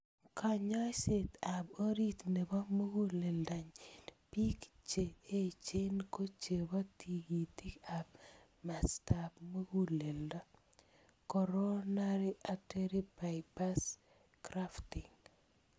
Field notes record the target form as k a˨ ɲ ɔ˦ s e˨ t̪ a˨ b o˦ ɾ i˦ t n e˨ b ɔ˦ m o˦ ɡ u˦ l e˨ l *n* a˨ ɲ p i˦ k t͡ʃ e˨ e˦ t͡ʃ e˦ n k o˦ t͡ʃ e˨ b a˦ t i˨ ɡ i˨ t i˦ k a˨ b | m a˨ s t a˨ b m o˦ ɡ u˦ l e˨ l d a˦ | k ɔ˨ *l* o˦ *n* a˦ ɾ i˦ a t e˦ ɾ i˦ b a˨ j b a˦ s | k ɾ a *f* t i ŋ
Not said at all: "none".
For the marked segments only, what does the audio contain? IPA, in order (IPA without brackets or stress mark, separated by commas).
d, ɾ, n, f